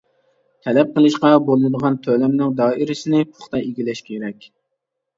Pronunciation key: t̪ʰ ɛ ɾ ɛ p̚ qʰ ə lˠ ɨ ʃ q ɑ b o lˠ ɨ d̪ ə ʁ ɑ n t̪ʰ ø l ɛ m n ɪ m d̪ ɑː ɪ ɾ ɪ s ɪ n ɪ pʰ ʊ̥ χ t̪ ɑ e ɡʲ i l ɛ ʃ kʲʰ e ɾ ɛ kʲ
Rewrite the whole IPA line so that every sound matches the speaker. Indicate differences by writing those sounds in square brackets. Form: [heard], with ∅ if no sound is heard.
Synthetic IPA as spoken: t̪ʰ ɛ [l] ɛ p̚ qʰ ə lˠ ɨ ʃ q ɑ b o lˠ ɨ d̪ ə ʁ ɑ n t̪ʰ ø l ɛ m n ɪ [ŋ] d̪ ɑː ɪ ɾ ɪ s ɪ n ɪ pʰ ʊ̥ χ t̪ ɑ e ɡʲ i l ɛ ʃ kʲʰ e ɾ ɛ kʲ